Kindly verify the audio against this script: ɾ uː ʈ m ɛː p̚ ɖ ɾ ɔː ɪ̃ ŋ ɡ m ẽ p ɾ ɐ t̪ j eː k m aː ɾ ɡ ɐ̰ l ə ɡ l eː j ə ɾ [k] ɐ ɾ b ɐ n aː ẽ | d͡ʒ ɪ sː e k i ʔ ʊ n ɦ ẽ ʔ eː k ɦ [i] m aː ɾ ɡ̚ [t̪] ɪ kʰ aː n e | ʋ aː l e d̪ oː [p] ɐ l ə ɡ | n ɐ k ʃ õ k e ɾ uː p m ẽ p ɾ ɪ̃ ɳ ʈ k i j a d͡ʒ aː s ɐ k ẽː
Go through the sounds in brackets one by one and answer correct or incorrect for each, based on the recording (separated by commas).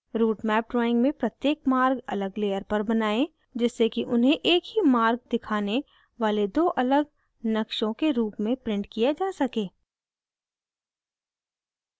incorrect, correct, incorrect, incorrect